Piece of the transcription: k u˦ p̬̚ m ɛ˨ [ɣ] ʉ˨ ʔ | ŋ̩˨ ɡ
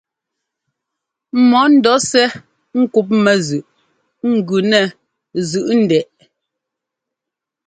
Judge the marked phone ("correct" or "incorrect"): incorrect